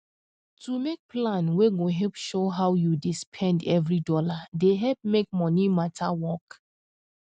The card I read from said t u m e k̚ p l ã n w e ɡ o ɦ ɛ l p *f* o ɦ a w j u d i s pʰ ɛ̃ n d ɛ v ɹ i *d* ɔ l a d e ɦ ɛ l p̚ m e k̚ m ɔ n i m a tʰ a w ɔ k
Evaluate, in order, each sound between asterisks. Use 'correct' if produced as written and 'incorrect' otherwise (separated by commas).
incorrect, correct